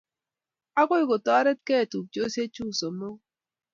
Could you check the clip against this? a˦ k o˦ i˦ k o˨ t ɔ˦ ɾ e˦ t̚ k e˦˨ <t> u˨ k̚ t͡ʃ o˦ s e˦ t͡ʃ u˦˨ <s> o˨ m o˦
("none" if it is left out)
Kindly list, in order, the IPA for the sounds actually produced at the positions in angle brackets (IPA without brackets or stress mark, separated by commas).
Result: t, s